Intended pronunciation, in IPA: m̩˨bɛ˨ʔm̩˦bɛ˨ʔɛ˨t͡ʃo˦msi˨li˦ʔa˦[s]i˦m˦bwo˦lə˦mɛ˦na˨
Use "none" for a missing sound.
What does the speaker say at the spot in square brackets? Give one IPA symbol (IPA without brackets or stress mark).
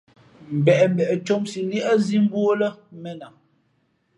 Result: z